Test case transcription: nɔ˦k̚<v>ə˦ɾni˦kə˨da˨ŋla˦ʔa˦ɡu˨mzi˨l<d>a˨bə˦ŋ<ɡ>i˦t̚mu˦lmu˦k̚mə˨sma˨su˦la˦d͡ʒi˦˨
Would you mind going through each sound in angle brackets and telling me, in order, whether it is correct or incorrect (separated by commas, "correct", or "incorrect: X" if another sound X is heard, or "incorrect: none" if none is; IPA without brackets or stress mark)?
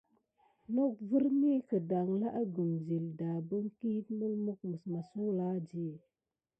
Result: correct, correct, incorrect: k